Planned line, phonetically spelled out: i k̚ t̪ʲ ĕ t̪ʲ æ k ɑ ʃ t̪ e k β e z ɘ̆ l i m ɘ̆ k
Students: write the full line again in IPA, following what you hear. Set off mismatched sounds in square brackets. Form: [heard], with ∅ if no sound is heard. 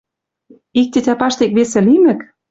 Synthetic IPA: i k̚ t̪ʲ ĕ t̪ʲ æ [p] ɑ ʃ t̪ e k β e [s] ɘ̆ l i m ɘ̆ k